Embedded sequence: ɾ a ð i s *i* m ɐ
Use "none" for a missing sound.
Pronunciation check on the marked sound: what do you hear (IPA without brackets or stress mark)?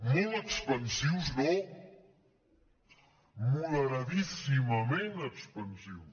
i